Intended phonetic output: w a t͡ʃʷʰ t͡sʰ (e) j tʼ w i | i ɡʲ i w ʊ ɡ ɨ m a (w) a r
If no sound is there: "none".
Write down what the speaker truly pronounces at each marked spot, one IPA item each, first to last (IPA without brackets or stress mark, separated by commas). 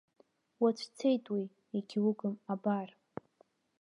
e, b